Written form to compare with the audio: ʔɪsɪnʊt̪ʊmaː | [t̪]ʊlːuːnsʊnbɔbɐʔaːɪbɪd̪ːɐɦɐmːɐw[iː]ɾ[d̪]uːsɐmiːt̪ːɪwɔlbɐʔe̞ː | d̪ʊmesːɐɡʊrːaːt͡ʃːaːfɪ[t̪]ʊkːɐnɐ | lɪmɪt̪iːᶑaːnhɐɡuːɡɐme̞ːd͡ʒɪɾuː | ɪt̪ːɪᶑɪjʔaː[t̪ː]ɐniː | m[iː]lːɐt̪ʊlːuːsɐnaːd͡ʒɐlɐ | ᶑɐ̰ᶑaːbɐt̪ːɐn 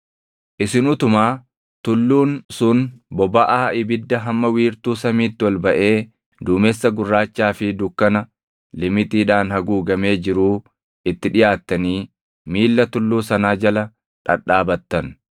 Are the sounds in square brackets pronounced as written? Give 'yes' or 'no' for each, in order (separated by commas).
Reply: yes, yes, no, no, yes, yes